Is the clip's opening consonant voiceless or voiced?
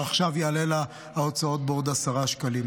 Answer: voiceless